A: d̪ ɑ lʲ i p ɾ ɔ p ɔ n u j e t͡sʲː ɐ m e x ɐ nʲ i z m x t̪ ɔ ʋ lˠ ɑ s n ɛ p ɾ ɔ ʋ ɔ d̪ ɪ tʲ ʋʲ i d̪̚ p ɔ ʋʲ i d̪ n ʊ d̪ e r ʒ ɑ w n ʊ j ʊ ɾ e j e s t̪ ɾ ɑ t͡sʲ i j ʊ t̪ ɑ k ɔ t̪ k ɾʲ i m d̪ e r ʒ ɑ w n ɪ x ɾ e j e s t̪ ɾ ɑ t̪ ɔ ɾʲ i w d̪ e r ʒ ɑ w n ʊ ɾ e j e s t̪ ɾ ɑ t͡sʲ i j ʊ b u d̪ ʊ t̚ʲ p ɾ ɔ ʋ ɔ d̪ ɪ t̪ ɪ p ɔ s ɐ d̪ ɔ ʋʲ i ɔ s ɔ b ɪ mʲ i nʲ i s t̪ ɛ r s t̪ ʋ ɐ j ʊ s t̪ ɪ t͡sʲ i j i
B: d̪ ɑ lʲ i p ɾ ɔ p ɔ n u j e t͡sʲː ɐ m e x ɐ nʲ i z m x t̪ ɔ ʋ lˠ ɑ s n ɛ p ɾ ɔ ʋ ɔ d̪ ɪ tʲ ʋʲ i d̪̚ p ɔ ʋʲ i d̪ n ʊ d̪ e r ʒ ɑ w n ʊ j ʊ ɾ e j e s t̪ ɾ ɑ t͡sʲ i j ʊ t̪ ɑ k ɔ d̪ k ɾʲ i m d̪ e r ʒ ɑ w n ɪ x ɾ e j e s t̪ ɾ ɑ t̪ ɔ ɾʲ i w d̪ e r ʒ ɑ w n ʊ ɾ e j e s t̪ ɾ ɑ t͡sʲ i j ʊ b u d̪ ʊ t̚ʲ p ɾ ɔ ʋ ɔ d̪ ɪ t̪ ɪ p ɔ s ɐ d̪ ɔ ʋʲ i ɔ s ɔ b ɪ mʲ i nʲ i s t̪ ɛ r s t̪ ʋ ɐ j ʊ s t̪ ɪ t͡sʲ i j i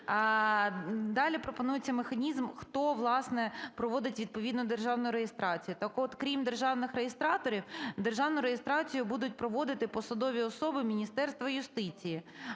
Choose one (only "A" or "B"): A